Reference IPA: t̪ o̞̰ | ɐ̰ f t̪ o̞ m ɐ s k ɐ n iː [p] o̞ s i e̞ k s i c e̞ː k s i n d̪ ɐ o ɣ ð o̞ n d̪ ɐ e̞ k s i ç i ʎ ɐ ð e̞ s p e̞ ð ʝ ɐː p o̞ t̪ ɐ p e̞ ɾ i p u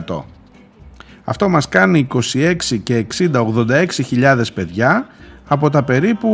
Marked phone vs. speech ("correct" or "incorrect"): incorrect